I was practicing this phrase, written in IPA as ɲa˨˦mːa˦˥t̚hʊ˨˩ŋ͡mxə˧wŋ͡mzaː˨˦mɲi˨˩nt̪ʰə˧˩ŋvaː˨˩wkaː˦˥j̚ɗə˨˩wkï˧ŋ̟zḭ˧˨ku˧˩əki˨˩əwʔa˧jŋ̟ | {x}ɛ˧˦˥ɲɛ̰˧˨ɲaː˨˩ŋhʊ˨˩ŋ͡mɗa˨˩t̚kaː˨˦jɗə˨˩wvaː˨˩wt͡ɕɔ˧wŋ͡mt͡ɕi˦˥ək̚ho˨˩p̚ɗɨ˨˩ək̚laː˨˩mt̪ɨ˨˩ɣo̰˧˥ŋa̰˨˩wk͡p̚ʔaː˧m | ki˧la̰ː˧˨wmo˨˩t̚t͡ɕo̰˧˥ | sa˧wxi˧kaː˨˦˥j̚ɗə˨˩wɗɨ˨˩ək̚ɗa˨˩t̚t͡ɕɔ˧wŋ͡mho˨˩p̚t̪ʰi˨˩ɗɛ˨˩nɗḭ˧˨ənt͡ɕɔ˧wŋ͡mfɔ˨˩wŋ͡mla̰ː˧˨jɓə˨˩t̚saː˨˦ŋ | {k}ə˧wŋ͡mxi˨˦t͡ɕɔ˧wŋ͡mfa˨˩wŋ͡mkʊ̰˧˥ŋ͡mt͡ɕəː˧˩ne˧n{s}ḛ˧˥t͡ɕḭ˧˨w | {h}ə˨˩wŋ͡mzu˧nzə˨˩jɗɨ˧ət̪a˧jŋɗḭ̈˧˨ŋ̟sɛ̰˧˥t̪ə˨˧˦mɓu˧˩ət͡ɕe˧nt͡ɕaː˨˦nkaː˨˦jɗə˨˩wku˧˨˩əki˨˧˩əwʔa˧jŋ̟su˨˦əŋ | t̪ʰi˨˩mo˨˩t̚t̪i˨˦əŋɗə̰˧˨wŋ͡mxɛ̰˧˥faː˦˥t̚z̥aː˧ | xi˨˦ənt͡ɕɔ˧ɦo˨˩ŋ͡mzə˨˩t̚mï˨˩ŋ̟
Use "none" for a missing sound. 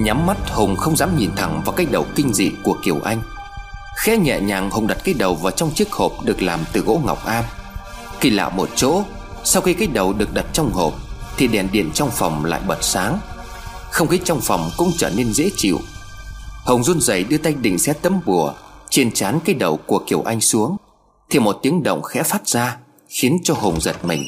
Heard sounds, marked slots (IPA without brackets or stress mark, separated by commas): x, x, z, h